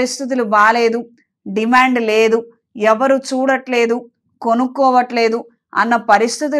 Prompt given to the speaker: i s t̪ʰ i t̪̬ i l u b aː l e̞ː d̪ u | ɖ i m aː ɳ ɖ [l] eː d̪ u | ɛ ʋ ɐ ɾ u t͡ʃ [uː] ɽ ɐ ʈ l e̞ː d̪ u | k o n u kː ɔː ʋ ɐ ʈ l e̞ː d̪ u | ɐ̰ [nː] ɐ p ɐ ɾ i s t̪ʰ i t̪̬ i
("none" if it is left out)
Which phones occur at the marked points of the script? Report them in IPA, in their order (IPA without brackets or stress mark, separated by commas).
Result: l, uː, nː